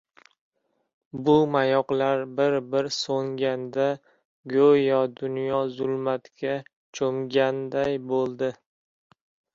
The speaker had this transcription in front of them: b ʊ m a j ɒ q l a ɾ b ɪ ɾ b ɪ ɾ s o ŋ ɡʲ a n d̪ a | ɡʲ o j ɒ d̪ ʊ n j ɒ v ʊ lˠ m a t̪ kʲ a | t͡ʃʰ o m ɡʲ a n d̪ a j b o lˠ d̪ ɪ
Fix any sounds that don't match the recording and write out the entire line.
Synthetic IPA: b ʊ m a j ɒ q l a ɾ b ɪ ɾ b ɪ ɾ s o ŋ ɡʲ a n d̪ a | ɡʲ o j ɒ d̪ ʊ n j ɒ z ʊ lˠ m a t̪ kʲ a | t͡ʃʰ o m ɡʲ a n d̪ a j b o lˠ d̪ ɪ